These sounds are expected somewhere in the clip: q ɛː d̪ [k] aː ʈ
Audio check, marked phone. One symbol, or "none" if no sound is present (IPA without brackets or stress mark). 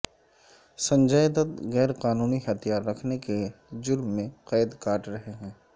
k